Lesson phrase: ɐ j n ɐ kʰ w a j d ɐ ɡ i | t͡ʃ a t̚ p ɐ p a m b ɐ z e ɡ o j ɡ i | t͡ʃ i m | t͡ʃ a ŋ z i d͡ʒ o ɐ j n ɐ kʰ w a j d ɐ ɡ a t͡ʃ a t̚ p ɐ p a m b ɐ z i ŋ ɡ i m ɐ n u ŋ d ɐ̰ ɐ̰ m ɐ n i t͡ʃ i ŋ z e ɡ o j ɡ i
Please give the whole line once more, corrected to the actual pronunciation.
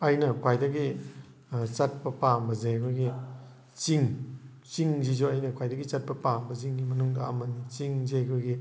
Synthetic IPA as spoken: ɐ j n ɐ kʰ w a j d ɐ ɡ i | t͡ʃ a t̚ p ɐ p a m b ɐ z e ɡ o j ɡ i | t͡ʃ i ŋ | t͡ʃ i ŋ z i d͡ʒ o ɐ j n ɐ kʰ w a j d ɐ ɡ i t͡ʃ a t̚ p ɐ p a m b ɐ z i ŋ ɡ i m ɐ n u ŋ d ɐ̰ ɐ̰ m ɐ n i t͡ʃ i ŋ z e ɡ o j ɡ i